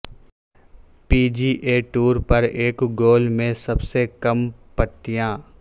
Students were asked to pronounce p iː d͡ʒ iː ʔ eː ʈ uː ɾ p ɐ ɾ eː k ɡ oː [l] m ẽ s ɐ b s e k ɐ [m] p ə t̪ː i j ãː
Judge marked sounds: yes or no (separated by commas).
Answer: yes, yes